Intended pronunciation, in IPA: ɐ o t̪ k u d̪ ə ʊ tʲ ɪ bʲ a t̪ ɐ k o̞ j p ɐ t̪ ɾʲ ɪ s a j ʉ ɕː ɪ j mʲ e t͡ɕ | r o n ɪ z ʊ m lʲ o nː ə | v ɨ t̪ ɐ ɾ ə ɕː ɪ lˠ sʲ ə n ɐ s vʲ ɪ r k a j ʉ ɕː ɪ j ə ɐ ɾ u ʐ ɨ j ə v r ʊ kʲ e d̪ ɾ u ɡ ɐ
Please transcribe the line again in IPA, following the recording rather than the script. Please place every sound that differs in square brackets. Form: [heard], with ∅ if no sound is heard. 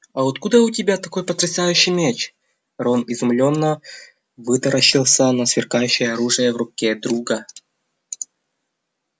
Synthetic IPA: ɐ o t̪ k u d̪ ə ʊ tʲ ɪ bʲ a t̪ ɐ k o̞ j p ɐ t̪ ɾʲ ɪ s a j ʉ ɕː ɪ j mʲ e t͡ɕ | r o n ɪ z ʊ m lʲ o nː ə | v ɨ t̪ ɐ ɾ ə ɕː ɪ lˠ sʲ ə n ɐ s vʲ ɪ r k a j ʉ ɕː ɪ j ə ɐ ɾ u ʐ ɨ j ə v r ʊ kʲ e d̪ ɾ u ɡ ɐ